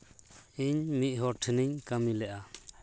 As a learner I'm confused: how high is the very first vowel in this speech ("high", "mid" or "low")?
high